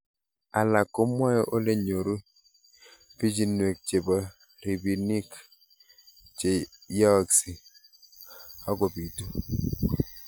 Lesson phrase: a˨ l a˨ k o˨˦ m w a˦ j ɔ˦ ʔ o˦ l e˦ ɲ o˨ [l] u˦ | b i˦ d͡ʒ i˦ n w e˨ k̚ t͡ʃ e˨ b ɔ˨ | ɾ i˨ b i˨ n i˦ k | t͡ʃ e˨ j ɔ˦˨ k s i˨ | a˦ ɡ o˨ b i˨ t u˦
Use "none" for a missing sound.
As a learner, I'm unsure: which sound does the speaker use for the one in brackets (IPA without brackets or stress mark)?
ɾ